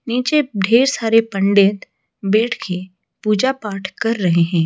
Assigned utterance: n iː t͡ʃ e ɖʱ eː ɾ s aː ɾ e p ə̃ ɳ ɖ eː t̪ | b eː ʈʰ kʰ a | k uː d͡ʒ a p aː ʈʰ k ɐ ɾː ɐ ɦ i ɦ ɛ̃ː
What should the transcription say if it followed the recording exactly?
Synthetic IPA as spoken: n iː t͡ʃ e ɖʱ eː ɾ s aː ɾ e p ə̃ ɳ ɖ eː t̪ | b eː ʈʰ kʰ e | p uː d͡ʒ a p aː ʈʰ k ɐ ɾː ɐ ɦ e ɦ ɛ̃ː